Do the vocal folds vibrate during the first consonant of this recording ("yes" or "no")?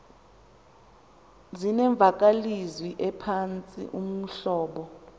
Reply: yes